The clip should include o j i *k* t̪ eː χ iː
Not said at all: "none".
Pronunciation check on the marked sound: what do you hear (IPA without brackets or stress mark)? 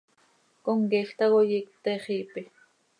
k